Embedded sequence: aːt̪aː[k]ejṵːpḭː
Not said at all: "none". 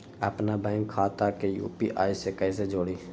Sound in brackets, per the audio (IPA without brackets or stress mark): k